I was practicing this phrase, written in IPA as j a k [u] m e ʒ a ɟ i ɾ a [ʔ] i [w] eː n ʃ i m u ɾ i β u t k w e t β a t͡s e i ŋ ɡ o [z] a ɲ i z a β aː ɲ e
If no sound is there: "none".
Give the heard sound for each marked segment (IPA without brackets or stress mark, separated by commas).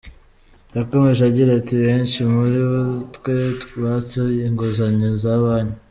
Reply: o, t, β, z